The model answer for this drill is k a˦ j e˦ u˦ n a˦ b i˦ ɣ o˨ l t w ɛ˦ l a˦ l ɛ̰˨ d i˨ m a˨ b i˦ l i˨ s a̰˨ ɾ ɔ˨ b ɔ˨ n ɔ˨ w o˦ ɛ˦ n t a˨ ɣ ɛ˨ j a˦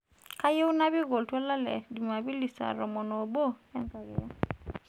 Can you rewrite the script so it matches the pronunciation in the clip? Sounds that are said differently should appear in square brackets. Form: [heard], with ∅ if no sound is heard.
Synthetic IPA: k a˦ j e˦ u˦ n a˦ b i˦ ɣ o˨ l t w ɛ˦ l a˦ l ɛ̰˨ d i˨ m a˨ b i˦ l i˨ s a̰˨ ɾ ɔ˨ [m] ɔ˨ n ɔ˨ [b] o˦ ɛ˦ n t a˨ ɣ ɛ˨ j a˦